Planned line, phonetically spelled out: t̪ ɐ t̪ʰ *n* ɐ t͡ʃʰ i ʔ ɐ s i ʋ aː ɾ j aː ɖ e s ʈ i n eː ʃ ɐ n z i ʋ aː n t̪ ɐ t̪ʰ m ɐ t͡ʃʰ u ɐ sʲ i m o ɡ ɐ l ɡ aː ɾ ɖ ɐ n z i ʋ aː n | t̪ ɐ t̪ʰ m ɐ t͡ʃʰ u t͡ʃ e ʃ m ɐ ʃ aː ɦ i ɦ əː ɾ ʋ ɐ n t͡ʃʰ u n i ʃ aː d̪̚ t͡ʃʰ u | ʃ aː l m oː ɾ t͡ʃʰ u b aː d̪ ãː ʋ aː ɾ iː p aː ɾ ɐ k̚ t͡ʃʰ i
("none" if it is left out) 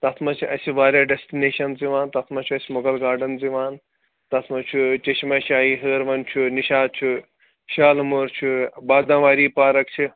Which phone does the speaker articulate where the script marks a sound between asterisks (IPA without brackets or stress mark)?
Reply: m